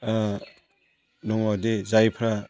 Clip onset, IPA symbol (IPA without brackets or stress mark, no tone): n